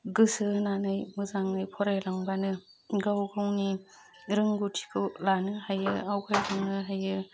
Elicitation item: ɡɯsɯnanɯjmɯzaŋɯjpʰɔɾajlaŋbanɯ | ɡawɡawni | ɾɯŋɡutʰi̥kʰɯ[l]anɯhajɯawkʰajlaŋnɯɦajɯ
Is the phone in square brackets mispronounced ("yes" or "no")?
no